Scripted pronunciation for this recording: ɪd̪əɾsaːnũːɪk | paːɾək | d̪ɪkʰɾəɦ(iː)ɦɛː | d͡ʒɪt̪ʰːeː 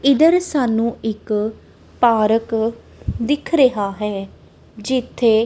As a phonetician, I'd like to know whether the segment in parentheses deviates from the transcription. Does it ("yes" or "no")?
yes